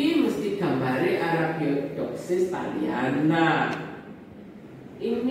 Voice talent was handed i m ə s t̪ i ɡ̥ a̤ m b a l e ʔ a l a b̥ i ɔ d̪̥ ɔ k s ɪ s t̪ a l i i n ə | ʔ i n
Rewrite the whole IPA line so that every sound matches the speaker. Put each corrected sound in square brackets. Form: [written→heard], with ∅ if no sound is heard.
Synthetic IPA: i m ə s t̪ i ɡ̥ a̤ m b a [l→ɾ] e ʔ a [l→ɾ] a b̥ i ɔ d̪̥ ɔ k s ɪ s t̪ a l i [i→a] n [ə→a] | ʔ i n